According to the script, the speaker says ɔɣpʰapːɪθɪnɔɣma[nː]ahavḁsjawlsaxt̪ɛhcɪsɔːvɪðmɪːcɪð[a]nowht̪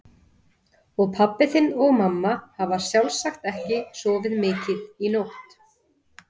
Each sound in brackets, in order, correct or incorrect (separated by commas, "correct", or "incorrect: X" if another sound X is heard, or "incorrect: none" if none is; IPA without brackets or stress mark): incorrect: mː, incorrect: i